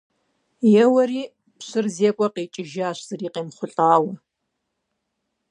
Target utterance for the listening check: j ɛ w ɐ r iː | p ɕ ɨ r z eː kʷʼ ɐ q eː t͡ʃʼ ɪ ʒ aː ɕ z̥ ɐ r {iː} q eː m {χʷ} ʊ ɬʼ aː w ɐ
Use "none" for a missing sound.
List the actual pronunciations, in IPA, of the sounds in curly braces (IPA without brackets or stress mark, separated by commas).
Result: iː, χʷ